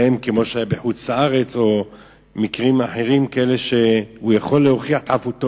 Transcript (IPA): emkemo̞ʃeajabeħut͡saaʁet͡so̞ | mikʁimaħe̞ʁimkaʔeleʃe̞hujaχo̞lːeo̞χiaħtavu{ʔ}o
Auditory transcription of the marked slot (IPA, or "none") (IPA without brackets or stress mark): t